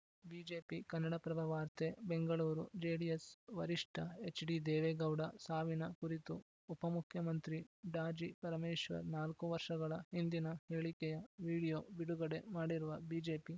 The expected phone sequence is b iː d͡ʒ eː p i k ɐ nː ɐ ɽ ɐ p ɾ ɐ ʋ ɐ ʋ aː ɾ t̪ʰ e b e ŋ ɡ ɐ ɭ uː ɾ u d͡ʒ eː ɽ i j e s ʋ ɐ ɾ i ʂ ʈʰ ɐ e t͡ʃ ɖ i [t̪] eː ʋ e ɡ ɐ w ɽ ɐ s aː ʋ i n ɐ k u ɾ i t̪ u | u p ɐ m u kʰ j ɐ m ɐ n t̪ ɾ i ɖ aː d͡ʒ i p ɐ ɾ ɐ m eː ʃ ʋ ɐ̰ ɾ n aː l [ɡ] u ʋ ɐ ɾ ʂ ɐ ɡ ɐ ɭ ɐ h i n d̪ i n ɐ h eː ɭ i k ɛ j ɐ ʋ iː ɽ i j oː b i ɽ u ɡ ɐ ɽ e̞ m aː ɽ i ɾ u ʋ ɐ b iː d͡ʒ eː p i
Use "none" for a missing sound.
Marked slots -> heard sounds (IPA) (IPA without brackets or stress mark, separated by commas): d̪, k